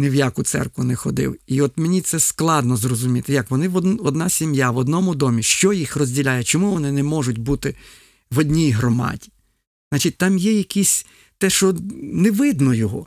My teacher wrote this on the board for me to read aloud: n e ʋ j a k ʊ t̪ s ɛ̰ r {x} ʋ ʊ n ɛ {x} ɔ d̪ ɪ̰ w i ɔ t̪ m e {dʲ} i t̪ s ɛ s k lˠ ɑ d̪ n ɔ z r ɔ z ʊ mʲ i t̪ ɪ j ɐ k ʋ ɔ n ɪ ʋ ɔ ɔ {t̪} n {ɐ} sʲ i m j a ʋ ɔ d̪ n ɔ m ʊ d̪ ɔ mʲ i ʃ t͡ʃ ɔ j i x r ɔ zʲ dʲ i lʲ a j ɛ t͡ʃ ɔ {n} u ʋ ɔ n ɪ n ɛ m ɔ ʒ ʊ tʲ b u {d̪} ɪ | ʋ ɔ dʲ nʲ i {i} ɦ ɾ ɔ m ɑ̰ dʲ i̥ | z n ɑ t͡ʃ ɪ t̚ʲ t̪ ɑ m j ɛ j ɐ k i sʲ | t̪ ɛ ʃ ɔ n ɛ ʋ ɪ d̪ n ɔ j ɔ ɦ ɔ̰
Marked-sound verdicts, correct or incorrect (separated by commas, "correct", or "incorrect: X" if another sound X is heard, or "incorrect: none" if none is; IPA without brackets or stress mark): incorrect: k, correct, incorrect: nʲ, incorrect: d̪, incorrect: ɑ, incorrect: m, incorrect: t̪, incorrect: j